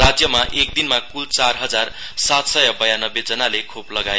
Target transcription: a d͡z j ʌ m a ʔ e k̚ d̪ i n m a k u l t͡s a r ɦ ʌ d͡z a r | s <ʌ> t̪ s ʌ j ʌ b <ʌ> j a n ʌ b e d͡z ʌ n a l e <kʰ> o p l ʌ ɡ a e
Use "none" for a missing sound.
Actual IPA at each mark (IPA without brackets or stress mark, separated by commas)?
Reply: a, ʌ, kʰ